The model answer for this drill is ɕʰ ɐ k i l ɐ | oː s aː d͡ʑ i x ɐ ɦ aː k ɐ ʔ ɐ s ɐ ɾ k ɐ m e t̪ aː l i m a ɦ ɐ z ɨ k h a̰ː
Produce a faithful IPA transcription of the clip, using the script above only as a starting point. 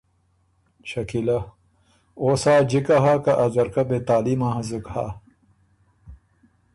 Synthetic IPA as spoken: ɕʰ ɐ k i l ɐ | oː s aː d͡ʑ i k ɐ ɦ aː k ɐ ʔ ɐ z ɐ ɾ k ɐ b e t̪ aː l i m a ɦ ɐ z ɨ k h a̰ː